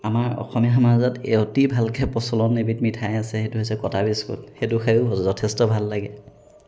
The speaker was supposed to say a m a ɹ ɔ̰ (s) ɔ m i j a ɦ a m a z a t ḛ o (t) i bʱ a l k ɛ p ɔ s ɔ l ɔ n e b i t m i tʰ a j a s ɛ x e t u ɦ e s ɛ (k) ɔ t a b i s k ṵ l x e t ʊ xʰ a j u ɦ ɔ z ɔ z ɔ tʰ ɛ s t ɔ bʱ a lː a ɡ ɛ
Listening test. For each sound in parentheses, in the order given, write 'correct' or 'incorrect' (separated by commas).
incorrect, correct, correct